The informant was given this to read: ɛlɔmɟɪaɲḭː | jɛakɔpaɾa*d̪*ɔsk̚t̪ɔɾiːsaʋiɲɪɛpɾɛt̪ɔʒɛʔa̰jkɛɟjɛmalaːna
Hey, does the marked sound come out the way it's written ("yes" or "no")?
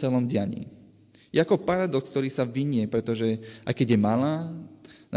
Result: yes